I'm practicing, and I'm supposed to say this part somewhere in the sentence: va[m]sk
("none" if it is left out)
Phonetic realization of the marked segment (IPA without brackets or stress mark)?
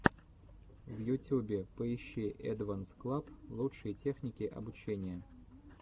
n